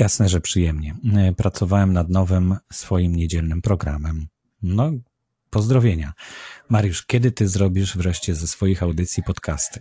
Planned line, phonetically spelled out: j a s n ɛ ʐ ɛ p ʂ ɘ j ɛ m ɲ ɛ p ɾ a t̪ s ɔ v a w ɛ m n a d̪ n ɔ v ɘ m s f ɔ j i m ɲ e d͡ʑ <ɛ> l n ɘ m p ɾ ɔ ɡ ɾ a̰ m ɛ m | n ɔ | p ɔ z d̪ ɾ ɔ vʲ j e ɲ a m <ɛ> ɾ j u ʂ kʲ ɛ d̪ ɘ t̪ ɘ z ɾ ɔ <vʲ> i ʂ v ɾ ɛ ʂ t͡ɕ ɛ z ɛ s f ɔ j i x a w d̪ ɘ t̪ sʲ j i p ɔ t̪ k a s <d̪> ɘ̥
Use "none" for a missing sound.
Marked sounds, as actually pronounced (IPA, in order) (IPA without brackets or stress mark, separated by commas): ɛ, a, bʲ, t̪